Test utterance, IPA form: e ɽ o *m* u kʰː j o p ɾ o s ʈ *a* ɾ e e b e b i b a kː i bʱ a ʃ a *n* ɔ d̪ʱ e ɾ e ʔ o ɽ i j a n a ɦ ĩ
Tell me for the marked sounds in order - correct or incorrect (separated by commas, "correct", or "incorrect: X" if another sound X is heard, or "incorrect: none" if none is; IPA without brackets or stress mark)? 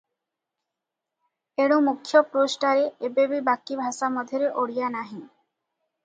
correct, correct, incorrect: m